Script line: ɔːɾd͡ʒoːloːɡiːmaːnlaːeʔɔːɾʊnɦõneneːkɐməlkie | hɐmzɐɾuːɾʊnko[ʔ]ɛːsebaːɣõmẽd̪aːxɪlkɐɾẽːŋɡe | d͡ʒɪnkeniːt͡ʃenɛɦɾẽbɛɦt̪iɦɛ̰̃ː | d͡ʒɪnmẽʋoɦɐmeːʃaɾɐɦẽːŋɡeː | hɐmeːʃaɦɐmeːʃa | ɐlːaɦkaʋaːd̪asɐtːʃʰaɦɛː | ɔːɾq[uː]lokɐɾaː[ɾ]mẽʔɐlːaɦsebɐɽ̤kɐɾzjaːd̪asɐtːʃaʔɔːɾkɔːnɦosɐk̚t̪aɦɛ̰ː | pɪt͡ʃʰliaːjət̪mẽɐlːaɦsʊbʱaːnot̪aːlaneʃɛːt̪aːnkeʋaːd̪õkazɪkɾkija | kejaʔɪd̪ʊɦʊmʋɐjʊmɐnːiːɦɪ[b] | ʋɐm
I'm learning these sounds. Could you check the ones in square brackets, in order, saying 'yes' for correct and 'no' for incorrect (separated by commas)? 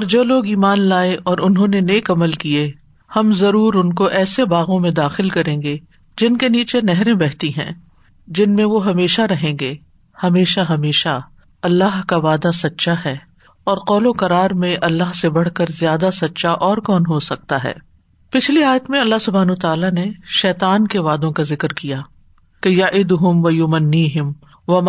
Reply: yes, no, yes, no